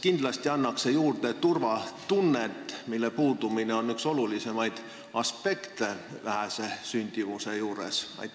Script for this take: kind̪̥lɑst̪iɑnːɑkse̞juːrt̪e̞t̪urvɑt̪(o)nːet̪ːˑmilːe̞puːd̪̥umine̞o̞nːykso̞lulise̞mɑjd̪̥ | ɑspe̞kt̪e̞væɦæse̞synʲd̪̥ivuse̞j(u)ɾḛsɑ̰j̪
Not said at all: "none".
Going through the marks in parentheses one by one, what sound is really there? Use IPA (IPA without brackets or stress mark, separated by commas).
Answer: u, uː